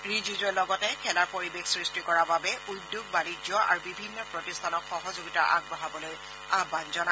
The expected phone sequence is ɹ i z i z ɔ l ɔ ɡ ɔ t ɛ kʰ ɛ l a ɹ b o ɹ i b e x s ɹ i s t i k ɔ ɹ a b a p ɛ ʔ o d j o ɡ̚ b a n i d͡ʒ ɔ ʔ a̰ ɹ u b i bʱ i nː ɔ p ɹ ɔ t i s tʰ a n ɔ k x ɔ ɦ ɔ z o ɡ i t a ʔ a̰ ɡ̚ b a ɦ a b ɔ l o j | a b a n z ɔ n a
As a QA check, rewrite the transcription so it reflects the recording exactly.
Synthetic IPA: ɹ i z i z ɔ l ɔ ɡ ɔ t ɛ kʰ ɛ l a ɹ p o ɹ i b e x s ɹ i s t i k ɔ ɹ a b a b ɛ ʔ u d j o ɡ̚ b a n i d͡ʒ ɔ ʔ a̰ ɹ u b i bʱ i nː ɔ p ɹ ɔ t i s tʰ a n ɔ k x ɔ ɦ ɔ z o ɡ i t a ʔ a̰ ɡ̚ b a ɦ a b ɔ l o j | a b a n z ɔ n a

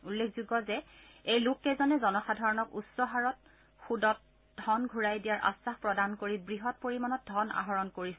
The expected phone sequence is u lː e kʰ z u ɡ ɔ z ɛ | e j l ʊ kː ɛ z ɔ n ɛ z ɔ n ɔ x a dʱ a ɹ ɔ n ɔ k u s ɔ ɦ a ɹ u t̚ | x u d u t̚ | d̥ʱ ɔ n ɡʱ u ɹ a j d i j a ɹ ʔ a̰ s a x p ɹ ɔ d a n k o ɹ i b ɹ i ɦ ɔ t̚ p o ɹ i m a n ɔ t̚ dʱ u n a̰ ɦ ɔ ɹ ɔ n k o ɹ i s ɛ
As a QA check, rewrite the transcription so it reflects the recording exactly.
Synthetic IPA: u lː e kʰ z u ɡ ɔ z ɛ | e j l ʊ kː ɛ z ɔ n ɛ z ɔ n ɔ x a dʱ a ɹ ɔ n ɔ k u s ɔ ɦ a ɹ ɔ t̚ | x u d ɔ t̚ | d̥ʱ ɔ n ɡʱ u ɹ a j d i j a ɹ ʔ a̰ s a x p ɹ ɔ d a n k o ɹ i b ɹ i ɦ ɔ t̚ p o ɹ i m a n ɔ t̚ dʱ ɔ n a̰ ɦ ɔ ɹ ɔ n k o ɹ i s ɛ

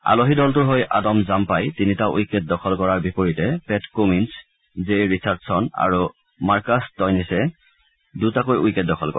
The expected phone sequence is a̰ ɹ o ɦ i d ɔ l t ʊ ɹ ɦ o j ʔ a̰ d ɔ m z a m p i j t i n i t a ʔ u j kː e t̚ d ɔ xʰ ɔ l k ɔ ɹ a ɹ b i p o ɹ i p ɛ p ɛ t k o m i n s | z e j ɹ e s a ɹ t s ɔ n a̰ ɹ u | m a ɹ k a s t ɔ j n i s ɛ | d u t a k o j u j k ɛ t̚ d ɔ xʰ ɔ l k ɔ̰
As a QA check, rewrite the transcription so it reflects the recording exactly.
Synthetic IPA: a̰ l o ɦ i d ɔ l t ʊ ɹ ɦ o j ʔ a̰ d ɔ m z a m p a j t i n i t a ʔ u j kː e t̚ d ɔ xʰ ɔ l k ɔ ɹ a ɹ b i p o ɹ i t ɛ p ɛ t k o m i n s | z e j ɹ i s a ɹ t s ɔ n a̰ ɹ u | m a ɹ k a s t ɔ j n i s ɛ | d u t a k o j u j k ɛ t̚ d ɔ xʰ ɔ l k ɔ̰

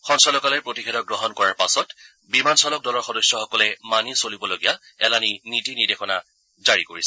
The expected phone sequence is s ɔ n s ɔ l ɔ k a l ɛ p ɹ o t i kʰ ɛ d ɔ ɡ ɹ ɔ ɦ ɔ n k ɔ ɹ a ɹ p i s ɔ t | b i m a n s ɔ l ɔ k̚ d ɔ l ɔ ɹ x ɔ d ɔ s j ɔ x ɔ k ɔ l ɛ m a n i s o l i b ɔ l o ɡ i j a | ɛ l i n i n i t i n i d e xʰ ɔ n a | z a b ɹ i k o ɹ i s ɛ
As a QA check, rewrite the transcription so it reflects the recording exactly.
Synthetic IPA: x ɔ n s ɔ l ɔ k a l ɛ p ɹ o t i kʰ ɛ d ɔ ɡ ɹ ɔ ɦ ɔ n k ɔ ɹ a ɹ p a s ɔ t | b i m a n s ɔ l ɔ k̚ d ɔ l ɔ ɹ x ɔ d ɔ s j ɔ x ɔ k ɔ l ɛ m a n i s o l i b ɔ l o ɡ i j a | ɛ l a n i n i t i n i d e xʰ ɔ n a | z a ɹ i k o ɹ i s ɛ

